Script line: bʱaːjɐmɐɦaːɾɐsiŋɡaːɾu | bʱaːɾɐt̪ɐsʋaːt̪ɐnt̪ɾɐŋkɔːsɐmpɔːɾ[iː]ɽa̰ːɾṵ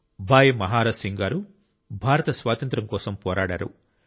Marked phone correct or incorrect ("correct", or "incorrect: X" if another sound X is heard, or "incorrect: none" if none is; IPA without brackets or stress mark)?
incorrect: aː